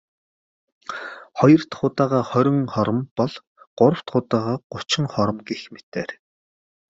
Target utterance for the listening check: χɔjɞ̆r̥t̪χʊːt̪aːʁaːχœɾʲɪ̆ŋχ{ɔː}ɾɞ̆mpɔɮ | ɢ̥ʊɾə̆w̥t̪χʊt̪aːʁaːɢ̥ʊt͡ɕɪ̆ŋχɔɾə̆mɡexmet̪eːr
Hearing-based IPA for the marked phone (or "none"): ɔ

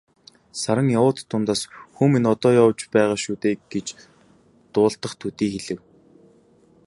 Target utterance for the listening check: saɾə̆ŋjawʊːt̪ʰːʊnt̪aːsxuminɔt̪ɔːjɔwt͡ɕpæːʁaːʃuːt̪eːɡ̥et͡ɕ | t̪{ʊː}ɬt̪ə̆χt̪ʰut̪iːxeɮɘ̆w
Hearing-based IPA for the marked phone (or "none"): ʊː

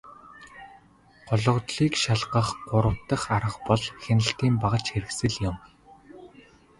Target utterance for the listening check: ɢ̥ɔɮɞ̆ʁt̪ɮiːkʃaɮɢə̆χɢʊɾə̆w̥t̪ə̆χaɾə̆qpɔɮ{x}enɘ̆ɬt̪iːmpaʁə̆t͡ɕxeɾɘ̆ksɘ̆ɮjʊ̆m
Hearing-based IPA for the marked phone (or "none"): x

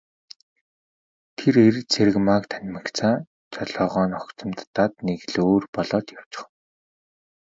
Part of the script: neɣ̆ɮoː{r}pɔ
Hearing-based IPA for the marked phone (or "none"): r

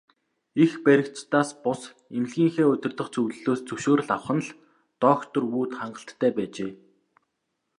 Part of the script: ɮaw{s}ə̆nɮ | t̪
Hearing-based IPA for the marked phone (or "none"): χ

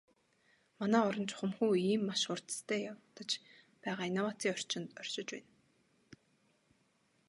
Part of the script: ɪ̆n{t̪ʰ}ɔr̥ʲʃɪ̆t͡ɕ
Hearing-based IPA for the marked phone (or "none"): t̪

